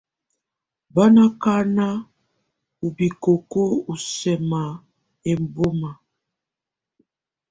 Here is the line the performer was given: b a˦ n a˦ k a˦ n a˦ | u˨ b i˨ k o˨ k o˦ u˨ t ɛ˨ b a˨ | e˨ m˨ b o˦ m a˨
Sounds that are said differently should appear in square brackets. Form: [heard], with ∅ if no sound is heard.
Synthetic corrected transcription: b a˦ n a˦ k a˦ n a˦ | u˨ b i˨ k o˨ k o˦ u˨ [s] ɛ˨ [m] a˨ | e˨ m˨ b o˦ m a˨